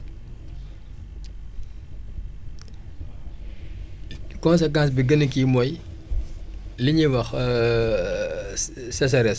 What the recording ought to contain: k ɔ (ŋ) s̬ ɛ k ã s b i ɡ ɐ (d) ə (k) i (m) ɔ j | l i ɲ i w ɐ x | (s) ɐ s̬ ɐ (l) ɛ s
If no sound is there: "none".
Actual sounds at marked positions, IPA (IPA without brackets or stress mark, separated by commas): n, n, k, m, s, ɾ